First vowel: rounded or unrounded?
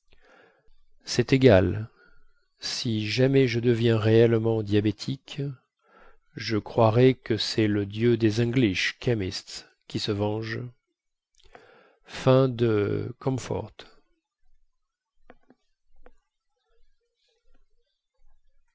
unrounded